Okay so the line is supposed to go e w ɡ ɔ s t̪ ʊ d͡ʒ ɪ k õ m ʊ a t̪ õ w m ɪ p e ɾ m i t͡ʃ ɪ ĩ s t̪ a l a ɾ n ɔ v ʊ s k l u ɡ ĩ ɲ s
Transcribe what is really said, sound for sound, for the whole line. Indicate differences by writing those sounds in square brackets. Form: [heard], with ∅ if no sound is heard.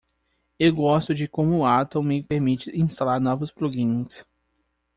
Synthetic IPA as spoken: e w ɡ ɔ s t̪ ʊ d͡ʒ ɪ k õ m ʊ a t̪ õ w m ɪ p e ɾ m i t͡ʃ ɪ ĩ s t̪ a l a ɾ n ɔ v ʊ s [p] l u ɡ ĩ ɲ s

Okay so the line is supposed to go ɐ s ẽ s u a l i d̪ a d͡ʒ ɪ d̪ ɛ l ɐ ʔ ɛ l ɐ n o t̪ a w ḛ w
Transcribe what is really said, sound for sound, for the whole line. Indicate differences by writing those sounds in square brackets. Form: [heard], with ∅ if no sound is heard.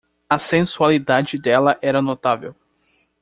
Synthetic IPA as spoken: ɐ s ẽ s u a l i d̪ a d͡ʒ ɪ d̪ ɛ l ɐ ʔ ɛ [ɾ] ɐ n o t̪ a [v] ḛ w

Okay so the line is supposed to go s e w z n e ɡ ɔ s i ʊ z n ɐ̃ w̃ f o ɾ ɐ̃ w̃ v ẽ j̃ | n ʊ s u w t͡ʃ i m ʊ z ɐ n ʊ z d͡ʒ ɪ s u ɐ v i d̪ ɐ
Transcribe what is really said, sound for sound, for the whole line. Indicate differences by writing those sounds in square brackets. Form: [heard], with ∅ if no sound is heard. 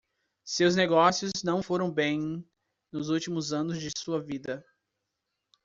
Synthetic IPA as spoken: s e w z n e ɡ ɔ s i ʊ z n ɐ̃ w̃ f o ɾ ɐ̃ w̃ [b] ẽ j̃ | n ʊ [z] u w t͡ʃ i m ʊ z [ɐ̃] n ʊ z d͡ʒ ɪ s u ɐ v i d̪ ɐ

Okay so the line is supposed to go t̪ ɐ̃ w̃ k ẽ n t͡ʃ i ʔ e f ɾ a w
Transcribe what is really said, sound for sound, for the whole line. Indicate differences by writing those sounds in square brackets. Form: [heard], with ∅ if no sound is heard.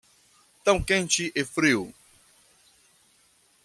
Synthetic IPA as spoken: t̪ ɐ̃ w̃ k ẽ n t͡ʃ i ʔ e f ɾ [i] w

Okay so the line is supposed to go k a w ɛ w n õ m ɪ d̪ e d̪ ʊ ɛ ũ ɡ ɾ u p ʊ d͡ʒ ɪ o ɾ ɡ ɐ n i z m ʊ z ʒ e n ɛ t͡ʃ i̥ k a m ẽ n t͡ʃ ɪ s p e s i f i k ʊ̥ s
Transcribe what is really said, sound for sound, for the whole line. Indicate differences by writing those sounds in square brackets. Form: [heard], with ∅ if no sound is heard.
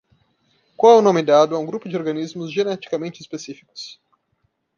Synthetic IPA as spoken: k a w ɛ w n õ m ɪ d̪ [a] d̪ ʊ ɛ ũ ɡ ɾ u p ʊ d͡ʒ ɪ o ɾ ɡ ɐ n i z m ʊ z ʒ e n ɛ t͡ʃ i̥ k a m ẽ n t͡ʃ ɪ s p e s i f i k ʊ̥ s

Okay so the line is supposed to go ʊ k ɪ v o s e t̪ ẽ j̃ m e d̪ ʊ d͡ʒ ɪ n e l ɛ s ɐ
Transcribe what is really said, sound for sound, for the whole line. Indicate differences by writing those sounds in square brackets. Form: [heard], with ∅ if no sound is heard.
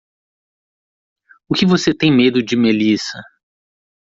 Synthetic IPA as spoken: ʊ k ɪ v o s e t̪ ẽ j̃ m e d̪ ʊ d͡ʒ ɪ [m] e l [i] s ɐ

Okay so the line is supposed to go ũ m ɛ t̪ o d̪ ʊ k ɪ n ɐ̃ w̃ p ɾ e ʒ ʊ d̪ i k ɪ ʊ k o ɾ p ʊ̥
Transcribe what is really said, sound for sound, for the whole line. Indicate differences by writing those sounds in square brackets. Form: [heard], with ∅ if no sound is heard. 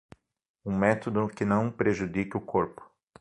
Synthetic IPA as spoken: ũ m ɛ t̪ o d̪ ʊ k ɪ n ɐ̃ w̃ p ɾ e ʒ [u] d̪ i k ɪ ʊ k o ɾ p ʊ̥

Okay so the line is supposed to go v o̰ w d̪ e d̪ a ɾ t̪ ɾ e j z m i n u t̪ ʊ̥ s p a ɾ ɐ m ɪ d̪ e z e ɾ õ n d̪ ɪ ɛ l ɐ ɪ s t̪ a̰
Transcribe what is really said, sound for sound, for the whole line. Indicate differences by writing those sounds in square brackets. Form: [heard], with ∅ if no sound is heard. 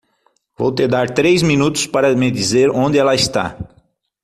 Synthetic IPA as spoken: v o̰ w [t̪] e d̪ a ɾ t̪ ɾ e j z m i n u t̪ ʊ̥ s p a ɾ ɐ m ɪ d̪ [i] z e ɾ õ n d̪ ɪ ɛ l ɐ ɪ s t̪ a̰

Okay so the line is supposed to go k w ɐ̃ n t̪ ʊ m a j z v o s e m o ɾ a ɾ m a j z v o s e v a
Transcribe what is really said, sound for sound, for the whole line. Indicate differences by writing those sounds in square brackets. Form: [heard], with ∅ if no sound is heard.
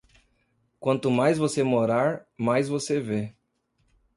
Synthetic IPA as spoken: k w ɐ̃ n t̪ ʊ m a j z v o s e m o ɾ a ɾ m a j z v o s e v [e]

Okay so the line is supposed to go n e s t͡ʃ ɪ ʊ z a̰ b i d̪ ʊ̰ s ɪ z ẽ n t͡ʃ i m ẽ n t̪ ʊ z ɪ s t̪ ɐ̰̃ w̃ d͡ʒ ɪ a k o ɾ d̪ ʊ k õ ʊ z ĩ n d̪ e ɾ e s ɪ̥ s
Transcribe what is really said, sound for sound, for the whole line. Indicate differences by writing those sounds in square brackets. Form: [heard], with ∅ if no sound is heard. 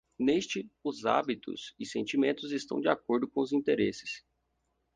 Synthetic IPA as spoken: n e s t͡ʃ ɪ ʊ z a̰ b i [t̪] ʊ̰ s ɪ [s] ẽ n t͡ʃ i m ẽ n t̪ ʊ z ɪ s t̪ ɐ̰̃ w̃ d͡ʒ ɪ a k o ɾ d̪ ʊ k õ ʊ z ĩ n [t̪] e ɾ e s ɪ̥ s

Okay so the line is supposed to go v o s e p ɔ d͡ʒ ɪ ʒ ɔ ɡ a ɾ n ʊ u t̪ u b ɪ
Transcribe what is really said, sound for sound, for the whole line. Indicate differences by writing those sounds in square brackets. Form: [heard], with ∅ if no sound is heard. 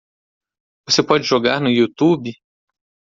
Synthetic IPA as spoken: v o s e p ɔ d͡ʒ ɪ ʒ [o] ɡ a ɾ n ʊ u t̪ u b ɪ

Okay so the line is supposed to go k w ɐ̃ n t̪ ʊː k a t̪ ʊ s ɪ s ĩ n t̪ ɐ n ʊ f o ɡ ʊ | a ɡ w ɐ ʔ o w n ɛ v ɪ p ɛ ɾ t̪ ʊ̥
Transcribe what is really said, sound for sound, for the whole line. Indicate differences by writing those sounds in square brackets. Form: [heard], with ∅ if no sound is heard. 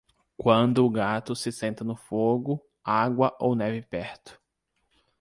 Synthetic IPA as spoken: k w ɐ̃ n [d̪] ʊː [ɡ] a t̪ ʊ s ɪ s [ẽ] n t̪ ɐ n ʊ f o ɡ ʊ | a ɡ w ɐ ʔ o w n ɛ v ɪ p ɛ ɾ t̪ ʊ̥

